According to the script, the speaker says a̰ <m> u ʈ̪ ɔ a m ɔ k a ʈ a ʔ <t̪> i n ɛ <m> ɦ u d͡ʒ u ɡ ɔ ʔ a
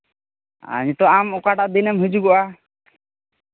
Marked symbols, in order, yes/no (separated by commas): no, no, yes